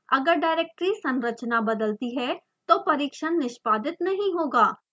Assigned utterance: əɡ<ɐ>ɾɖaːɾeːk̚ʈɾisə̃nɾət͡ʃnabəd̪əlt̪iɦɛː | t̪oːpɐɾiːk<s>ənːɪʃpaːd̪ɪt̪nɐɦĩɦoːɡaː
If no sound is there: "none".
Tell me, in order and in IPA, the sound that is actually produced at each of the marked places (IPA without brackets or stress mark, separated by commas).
ə, ʃ